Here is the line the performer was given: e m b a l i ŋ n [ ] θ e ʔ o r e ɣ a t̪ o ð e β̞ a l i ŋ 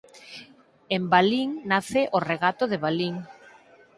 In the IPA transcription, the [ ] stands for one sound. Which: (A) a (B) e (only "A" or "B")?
A